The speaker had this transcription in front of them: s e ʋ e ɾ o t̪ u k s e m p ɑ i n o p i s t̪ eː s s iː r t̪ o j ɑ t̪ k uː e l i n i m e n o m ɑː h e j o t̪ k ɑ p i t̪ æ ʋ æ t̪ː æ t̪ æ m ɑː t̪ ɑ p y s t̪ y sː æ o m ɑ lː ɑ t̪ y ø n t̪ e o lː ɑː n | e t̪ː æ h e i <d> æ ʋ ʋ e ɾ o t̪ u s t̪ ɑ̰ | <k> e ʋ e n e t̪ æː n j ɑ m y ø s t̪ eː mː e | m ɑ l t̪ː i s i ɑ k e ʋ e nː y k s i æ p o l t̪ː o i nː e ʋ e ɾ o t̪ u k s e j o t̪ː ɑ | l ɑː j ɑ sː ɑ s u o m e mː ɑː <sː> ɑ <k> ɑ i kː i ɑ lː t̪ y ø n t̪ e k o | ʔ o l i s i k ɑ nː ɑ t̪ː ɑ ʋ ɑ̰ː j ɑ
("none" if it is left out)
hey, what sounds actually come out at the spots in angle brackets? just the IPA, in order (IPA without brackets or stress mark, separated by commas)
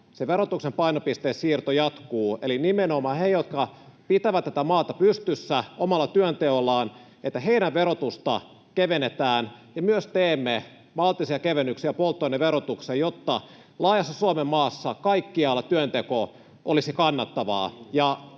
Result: n, k, sː, k